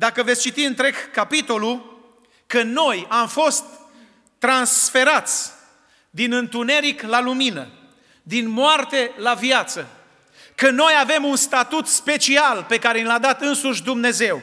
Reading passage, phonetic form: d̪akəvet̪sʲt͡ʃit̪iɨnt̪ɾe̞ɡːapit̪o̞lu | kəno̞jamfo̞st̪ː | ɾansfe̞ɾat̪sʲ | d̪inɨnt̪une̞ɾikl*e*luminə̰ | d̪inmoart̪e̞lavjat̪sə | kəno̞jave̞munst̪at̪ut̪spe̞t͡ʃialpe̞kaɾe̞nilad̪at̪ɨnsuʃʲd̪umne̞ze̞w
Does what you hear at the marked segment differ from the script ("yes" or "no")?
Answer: yes